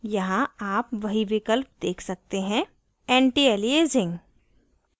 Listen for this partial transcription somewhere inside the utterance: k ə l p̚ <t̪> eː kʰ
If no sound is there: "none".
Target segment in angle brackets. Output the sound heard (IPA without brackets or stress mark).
d̪